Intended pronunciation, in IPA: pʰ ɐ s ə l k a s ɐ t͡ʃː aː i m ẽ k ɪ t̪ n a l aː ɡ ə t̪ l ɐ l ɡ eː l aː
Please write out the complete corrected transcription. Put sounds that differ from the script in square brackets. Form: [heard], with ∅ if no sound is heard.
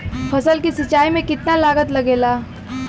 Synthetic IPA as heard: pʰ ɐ s ə l k [i] s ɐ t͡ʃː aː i m ẽ k ɪ t̪ n a l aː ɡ ə t̪ l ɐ [∅] ɡ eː l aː